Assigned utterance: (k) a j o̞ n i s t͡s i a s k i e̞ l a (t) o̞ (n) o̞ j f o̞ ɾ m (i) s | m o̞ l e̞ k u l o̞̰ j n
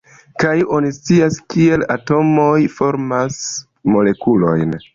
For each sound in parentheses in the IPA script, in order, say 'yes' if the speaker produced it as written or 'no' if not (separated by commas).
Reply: yes, yes, no, no